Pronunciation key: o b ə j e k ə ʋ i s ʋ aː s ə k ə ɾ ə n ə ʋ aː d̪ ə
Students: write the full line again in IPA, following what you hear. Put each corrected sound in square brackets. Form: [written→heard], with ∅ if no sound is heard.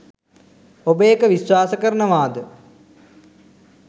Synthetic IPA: o b ə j e k ə ʋ i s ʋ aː s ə k ə ɾ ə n ə ʋ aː d̪ ə